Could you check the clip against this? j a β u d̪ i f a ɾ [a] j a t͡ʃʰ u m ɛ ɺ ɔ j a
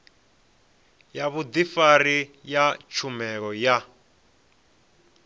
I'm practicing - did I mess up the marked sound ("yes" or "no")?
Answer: yes